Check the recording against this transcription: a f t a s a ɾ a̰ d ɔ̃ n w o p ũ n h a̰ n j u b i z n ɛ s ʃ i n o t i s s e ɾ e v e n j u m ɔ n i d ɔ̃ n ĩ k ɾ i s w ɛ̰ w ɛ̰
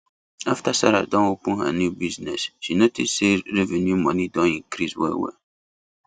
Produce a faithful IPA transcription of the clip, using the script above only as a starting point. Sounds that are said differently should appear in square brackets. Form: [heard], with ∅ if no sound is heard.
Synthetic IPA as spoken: a f t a s a ɾ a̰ d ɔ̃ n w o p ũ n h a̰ n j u b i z n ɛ s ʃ i n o t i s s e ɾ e v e n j u m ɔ n i d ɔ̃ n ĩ k ɾ i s w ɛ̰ w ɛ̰